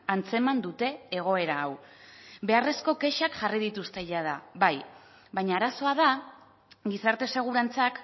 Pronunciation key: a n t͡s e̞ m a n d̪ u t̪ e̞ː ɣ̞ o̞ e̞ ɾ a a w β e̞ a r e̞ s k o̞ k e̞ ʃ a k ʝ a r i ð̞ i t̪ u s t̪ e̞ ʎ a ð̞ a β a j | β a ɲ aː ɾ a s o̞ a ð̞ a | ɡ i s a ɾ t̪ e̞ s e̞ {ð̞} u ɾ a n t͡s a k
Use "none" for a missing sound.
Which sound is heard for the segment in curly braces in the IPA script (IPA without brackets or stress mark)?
ɣ̞